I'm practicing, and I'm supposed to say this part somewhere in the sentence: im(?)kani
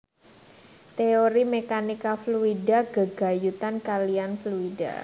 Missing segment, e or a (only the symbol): e